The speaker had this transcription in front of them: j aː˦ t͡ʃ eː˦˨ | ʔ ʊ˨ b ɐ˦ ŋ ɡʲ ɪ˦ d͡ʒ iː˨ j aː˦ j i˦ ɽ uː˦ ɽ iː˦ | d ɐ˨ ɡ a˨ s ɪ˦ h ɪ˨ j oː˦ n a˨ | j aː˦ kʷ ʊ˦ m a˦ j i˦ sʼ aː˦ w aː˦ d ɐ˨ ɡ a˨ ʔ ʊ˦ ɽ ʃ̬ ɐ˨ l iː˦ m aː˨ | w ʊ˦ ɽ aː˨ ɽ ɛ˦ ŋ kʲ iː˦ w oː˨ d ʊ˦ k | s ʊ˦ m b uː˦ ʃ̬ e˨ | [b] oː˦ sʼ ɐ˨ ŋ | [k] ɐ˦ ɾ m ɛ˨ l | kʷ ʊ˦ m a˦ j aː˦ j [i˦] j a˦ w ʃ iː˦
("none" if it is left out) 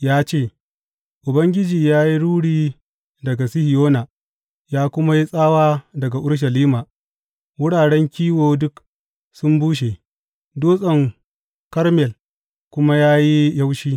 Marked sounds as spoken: d, k, i˦

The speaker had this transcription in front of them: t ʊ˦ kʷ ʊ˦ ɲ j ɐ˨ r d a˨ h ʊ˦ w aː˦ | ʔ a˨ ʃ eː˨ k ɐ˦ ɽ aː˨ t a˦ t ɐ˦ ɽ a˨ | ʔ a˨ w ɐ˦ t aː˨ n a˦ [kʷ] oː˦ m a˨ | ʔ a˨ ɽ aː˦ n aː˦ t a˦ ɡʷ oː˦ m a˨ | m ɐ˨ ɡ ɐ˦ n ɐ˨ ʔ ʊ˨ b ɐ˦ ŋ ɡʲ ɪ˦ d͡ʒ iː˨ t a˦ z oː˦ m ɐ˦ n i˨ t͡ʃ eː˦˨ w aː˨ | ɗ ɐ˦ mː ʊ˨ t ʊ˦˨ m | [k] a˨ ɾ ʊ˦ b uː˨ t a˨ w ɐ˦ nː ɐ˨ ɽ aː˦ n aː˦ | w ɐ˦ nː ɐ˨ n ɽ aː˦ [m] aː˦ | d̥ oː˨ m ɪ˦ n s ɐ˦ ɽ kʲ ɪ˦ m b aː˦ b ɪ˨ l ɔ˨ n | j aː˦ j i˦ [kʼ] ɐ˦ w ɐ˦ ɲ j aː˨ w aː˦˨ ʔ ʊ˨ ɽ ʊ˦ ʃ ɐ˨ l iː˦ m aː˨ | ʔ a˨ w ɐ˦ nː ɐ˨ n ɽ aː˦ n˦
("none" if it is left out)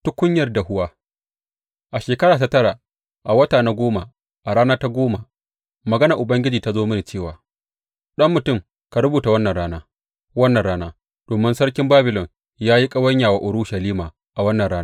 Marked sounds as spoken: ɡʷ, k, n, kʼ

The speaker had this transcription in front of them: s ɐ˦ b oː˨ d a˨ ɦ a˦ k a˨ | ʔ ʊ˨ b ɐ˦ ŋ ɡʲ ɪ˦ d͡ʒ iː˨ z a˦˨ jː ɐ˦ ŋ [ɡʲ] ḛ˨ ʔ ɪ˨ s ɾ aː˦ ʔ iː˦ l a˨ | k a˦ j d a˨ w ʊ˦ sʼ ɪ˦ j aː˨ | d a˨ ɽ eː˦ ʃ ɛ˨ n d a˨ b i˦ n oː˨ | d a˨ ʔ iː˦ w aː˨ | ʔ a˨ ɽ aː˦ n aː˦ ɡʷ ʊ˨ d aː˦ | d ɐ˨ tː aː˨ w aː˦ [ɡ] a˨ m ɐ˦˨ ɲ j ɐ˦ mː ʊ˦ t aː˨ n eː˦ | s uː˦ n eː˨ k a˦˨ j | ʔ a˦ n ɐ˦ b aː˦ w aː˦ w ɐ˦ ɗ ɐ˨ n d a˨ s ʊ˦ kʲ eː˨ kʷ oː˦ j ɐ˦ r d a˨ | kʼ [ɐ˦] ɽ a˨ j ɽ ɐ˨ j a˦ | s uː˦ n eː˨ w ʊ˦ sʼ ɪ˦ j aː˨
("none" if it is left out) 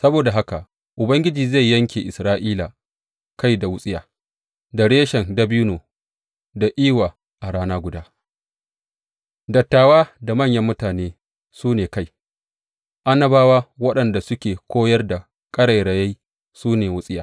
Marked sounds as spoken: kʲ, d, ɐ˦

